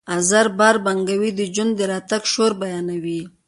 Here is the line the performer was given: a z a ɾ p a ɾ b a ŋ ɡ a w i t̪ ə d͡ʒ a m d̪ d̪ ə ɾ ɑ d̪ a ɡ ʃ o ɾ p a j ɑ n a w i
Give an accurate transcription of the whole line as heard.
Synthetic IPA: a z a ɾ b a ɾ b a ŋ ɡ a w i d̪ ə d͡ʒ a n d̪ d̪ ə ɾ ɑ t̪ a ɡ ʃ o ɾ b a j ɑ n a w i